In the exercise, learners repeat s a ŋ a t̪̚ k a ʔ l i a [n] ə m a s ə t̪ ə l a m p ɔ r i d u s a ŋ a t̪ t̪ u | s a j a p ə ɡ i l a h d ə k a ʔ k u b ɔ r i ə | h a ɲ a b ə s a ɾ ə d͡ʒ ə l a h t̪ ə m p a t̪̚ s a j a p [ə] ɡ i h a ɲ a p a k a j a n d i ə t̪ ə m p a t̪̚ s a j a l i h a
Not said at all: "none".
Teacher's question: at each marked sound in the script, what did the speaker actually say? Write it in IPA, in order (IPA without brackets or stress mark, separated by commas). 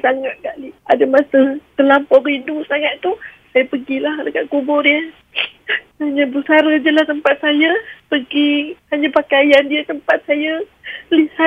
d, ə